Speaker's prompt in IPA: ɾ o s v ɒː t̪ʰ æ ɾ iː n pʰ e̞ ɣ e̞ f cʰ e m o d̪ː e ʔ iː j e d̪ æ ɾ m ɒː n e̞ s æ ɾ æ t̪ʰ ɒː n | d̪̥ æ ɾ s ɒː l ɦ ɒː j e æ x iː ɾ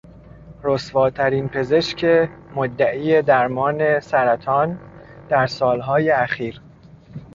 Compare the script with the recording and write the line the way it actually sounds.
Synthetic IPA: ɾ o s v ɒː t̪ʰ æ ɾ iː n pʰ e̞ z e̞ ʃ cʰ e m o d̪ː æ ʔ iː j e d̪ æ ɾ m ɒː n e̞ s æ ɾ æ t̪ʰ ɒː n | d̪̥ æ ɾ s ɒː l ɦ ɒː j e æ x iː ɾ

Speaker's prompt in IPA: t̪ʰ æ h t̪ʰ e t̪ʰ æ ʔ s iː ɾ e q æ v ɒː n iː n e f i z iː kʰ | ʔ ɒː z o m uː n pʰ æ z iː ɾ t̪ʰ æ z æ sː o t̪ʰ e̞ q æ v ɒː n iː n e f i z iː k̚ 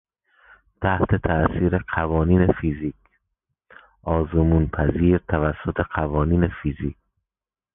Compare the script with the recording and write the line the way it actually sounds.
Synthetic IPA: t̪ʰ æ h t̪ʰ e t̪ʰ æ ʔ s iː ɾ e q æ v ɒː n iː n e f i z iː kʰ | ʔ ɒː z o m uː n pʰ æ z iː ɾ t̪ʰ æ v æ sː o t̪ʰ e̞ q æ v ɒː n iː n e f i z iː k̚

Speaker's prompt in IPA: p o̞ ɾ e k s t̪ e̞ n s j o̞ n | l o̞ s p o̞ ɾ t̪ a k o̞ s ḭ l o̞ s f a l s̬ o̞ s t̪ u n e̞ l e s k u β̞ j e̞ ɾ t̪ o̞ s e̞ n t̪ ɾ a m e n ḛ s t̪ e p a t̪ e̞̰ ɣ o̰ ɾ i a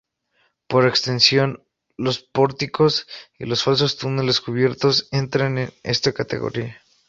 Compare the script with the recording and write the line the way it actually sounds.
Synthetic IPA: p o̞ ɾ e k s t̪ e̞ n s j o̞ n | l o̞ s p o̞ ɾ t̪ i k o̞ s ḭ l o̞ s f a l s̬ o̞ s t̪ u n e̞ l e s k u β̞ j e̞ ɾ t̪ o̞ s e̞ n t̪ ɾ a n e n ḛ s t̪ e k a t̪ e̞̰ ɣ o̰ ɾ i a

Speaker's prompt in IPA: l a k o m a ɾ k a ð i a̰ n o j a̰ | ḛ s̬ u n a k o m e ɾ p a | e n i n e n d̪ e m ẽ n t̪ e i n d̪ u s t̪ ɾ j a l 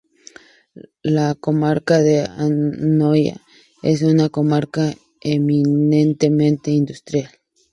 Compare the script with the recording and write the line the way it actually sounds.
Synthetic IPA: l a k o m a ɾ k a ð e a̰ n o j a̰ | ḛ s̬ u n a k o m a ɾ k a | e m i n e n t̪ e m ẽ n t̪ e i n d̪ u s t̪ ɾ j a l

